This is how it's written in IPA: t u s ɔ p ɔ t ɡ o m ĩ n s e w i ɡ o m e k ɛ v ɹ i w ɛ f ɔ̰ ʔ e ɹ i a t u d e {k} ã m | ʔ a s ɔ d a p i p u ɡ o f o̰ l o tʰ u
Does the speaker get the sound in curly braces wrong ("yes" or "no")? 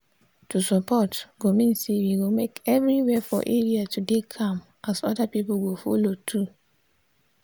yes